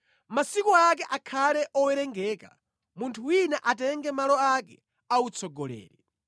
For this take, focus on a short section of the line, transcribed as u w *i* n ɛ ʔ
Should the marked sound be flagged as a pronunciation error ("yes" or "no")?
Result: no